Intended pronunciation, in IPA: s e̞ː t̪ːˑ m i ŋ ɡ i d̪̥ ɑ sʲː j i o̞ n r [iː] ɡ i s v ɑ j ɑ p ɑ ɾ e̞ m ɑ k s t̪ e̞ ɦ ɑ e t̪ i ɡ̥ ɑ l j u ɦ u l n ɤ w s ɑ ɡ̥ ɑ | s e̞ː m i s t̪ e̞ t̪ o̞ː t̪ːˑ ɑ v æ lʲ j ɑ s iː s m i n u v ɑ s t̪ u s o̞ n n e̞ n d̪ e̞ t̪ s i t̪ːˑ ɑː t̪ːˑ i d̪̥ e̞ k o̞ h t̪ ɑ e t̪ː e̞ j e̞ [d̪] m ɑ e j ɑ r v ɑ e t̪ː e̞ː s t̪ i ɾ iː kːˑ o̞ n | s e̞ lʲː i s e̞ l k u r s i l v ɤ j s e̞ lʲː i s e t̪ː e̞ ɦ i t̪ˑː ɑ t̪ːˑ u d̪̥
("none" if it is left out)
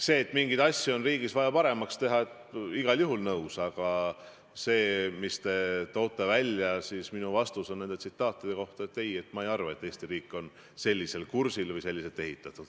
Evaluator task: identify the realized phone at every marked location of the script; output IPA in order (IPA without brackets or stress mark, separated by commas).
iː, t̪